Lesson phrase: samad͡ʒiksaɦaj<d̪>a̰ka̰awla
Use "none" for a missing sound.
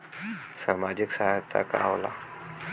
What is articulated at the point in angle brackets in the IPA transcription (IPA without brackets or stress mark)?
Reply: t̪